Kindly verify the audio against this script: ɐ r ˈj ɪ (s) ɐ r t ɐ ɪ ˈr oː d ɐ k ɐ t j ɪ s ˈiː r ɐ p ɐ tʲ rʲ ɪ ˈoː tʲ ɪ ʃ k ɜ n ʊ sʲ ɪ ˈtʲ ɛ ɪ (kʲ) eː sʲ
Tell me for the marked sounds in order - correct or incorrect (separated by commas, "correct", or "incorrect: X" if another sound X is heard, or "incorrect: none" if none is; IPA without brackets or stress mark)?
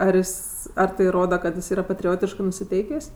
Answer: correct, correct